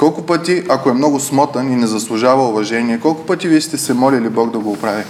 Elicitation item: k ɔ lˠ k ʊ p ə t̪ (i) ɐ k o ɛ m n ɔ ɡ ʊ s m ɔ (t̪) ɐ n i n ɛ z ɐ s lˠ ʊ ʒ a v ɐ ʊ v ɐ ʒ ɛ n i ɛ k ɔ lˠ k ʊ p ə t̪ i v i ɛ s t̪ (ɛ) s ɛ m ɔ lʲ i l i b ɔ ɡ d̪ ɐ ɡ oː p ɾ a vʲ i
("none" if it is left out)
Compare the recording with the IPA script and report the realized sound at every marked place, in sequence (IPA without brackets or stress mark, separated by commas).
i, t̪, ɛ